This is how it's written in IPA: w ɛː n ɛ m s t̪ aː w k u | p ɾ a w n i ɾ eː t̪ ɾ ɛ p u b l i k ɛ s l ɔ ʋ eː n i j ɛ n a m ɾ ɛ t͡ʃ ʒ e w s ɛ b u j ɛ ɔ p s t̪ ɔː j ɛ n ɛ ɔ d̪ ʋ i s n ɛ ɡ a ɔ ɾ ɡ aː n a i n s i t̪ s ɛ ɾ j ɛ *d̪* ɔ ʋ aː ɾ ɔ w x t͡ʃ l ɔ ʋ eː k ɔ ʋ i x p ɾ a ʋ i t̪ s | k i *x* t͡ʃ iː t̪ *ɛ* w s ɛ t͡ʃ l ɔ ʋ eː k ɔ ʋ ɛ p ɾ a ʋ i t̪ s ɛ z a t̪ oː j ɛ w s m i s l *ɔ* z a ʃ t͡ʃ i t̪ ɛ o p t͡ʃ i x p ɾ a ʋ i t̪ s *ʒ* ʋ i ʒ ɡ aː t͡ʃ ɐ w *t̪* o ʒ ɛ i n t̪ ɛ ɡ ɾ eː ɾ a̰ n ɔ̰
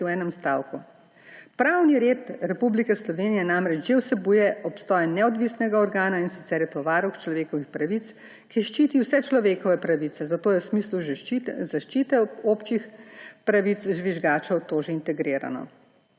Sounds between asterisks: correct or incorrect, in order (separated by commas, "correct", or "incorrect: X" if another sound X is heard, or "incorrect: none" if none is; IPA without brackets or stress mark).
incorrect: t̪, incorrect: ʃ, incorrect: i, incorrect: u, correct, correct